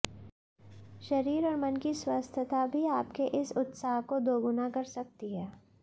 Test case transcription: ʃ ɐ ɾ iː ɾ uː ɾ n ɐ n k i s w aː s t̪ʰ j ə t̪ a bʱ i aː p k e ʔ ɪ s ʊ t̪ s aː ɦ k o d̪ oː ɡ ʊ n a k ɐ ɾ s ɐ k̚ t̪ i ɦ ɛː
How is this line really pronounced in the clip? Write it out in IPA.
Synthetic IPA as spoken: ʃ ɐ ɾ iː ɾ ɔː ɾ m ɐ n k i s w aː s t̪ʰ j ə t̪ a bʱ i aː p k e ʔ ɪ s ʊ t̪ s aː ɦ k o d̪ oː ɡ ʊ n a k ɐ ɾ s ɐ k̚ t̪ i ɦ ɛː